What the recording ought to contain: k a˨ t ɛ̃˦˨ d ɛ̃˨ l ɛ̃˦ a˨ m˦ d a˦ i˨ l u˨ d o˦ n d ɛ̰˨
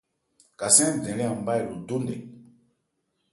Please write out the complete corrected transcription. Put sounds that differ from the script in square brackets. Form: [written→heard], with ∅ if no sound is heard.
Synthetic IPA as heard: k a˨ [t→s] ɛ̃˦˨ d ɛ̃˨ l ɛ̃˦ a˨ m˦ [d→b] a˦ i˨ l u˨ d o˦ n d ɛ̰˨